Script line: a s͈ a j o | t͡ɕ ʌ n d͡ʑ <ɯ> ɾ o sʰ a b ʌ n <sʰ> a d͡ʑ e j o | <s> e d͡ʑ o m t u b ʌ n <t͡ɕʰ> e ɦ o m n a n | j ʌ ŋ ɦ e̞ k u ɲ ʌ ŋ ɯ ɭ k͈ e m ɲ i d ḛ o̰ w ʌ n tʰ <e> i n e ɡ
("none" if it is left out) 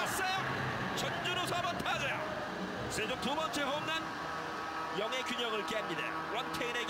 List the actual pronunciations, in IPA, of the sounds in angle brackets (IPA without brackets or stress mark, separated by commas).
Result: u, tʰ, s, t͡ɕʰ, e